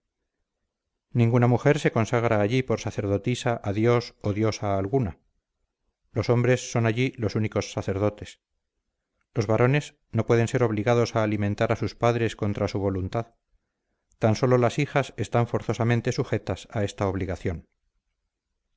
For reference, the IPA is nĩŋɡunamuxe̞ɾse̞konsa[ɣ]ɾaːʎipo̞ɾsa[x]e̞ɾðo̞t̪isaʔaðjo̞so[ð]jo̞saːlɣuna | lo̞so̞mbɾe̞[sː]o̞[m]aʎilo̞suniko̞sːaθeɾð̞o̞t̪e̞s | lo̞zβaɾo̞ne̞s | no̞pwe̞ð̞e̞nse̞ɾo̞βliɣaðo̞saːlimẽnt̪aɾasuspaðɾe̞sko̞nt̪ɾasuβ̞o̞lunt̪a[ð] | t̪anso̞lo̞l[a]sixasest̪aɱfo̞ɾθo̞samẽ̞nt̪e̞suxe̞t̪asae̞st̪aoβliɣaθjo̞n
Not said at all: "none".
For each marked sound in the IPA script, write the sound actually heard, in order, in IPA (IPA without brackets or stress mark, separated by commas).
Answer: ɣ, θ, ð, sː, n, ð, a